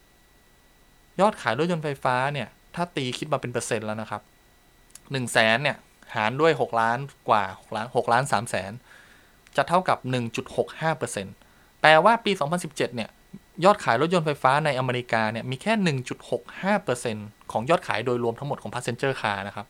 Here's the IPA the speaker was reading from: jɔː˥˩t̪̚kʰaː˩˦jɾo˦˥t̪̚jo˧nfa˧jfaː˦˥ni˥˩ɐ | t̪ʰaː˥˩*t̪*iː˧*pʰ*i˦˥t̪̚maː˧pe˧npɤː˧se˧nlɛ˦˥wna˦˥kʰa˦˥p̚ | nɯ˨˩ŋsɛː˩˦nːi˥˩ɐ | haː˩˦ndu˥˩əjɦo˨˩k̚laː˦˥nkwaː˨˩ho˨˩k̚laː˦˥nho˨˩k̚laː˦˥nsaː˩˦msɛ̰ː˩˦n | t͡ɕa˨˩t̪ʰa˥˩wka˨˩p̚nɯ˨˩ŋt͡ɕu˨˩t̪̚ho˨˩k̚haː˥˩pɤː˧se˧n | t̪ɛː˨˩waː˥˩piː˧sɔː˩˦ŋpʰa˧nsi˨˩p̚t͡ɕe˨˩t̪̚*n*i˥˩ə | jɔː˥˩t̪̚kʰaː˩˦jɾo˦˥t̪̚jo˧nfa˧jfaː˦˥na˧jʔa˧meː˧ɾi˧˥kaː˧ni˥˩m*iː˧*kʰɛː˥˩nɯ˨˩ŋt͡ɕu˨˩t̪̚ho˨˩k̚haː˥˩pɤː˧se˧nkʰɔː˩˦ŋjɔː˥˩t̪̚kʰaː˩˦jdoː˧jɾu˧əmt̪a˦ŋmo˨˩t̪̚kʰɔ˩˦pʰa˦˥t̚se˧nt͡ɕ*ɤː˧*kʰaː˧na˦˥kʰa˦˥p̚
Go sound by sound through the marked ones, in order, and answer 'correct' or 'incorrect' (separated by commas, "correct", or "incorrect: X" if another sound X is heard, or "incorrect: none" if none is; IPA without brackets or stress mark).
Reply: correct, incorrect: kʰ, correct, correct, incorrect: ɤː˥˩